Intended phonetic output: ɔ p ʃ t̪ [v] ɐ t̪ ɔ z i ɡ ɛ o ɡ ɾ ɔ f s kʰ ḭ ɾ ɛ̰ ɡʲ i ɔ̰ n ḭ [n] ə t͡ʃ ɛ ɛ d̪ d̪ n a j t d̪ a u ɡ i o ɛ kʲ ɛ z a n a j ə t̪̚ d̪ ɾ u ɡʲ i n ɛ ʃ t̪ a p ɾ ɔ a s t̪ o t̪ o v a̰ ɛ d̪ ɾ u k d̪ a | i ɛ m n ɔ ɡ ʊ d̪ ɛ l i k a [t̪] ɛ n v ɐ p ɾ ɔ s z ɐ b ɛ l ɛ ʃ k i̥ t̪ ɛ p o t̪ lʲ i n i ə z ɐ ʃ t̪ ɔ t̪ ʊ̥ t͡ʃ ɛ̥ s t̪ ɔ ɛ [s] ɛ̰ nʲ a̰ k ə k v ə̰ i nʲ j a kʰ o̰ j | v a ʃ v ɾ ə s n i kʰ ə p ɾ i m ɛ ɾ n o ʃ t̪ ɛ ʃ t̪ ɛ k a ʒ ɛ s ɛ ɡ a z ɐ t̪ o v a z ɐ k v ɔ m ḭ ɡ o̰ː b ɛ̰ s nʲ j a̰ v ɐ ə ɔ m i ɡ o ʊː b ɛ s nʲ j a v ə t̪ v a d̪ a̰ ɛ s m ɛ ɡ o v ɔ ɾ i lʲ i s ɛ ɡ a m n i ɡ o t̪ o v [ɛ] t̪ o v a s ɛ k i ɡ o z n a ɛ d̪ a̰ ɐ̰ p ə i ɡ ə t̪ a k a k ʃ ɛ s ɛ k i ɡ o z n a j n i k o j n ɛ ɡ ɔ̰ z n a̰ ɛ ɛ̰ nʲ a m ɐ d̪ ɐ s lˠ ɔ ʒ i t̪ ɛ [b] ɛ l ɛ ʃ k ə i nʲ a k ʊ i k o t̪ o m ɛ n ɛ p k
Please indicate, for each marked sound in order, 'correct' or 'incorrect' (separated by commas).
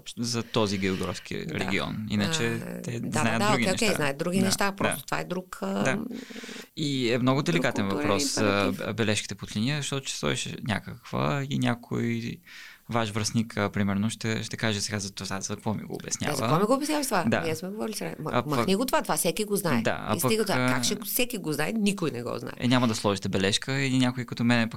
incorrect, correct, correct, incorrect, incorrect, correct